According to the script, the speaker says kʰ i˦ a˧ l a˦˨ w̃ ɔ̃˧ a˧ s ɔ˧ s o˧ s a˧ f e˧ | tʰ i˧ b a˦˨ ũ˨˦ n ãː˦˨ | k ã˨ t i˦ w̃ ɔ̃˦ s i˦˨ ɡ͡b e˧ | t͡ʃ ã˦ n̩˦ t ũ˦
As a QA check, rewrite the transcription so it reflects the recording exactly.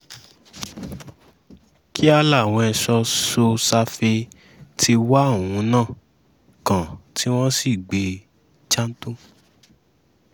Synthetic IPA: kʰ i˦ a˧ l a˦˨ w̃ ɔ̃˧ ɛ˧ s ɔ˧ s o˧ s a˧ f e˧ | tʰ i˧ w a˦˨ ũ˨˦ n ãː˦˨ | k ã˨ t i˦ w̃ ɔ̃˦ s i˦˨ ɡ͡b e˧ | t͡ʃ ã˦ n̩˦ t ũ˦

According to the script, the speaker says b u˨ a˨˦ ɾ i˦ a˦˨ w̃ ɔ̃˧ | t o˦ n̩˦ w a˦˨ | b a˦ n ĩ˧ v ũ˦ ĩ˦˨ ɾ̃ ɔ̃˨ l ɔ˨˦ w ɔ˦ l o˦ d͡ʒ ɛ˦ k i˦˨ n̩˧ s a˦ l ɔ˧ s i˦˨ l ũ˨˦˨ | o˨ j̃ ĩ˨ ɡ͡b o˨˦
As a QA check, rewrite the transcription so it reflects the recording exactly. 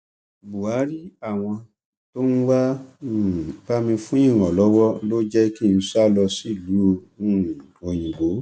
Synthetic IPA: b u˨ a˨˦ ɾ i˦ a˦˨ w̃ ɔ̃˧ | t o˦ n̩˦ w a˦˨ | b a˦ m ĩ˧ f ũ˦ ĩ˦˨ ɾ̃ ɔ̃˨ l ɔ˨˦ w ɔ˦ l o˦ d͡ʒ ɛ˦ k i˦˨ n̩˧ s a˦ l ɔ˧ s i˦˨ l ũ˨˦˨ | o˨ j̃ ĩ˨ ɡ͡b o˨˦

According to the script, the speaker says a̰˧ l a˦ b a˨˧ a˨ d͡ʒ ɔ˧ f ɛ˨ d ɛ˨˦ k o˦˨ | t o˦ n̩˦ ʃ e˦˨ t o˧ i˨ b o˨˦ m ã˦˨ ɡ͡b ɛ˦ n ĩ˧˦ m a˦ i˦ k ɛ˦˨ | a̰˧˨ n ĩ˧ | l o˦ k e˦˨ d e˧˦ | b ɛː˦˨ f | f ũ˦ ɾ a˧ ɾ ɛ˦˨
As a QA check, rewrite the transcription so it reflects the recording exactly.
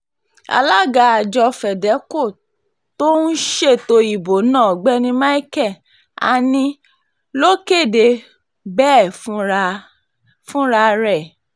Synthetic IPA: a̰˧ l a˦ ɡ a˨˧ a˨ d͡ʒ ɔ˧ f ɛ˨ d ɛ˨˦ k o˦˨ | t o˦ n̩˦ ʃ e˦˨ t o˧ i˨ b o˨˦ n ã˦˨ ɡ͡b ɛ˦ n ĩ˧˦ m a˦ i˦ k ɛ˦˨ | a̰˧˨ n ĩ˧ | l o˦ k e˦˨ d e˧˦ | b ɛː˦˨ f | f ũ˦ ɾ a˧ ɾ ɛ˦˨

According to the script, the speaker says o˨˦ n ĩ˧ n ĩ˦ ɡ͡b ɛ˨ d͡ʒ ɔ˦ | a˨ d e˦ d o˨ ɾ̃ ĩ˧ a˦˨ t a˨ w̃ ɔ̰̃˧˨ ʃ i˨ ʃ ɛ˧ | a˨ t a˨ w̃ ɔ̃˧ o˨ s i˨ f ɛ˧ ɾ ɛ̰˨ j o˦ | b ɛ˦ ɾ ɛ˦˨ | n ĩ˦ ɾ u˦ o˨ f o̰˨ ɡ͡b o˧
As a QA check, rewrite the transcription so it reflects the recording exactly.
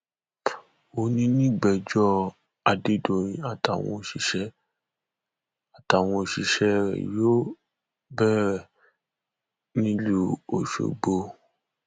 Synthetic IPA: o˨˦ n ĩ˧ n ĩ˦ ɡ͡b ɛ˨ d͡ʒ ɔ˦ | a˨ d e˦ d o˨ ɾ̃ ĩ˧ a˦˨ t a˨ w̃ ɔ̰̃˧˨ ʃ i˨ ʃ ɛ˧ | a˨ t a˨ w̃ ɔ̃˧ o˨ ʃ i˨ ʃ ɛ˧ ɾ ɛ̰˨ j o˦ | b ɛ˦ ɾ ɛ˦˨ | n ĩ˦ l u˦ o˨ ʃ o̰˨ ɡ͡b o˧

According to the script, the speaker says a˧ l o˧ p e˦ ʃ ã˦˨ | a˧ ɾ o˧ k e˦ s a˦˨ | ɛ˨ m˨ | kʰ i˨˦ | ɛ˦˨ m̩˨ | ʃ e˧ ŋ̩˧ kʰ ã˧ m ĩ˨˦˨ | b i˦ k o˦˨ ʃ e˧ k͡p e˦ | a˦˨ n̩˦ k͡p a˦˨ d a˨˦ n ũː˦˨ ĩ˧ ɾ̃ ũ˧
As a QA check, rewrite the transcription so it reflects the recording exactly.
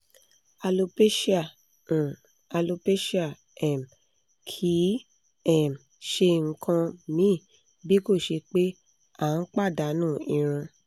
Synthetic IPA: a˧ l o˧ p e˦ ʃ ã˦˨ | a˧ l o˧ p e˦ ʃ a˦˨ | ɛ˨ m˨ | kʰ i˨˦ | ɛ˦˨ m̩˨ | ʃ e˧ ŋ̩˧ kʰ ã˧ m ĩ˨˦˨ | b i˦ k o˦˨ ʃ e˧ k͡p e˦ | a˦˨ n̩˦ k͡p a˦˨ d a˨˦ n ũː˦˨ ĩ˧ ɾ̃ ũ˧

